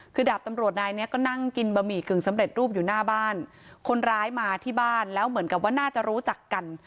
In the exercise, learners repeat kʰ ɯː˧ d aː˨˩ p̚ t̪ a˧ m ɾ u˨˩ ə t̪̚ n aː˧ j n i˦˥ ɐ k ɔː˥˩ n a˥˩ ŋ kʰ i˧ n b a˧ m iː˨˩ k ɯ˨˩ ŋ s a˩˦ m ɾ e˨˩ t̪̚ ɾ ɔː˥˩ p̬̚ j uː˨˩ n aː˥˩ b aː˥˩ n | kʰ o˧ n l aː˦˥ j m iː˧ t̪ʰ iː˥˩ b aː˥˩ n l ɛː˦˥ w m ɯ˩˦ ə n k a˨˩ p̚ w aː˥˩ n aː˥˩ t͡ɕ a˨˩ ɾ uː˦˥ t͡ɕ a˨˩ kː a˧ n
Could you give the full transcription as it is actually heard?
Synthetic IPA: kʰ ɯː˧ d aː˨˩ p̚ t̪ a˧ m ɾ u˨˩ ə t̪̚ n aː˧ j n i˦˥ ɐ k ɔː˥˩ n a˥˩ ŋ k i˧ n b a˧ m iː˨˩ k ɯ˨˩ ŋ s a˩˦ m ɾ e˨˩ t̪̚ ɾ uː˥˩ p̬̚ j uː˨˩ n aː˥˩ b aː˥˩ n | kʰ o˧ n ɾ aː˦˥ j m aː˧ t̪ʰ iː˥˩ b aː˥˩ n l ɛː˦˥ w m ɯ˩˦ ə n k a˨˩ p̚ w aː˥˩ n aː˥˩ t͡ɕ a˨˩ ɾ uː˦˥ t͡ɕ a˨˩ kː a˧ n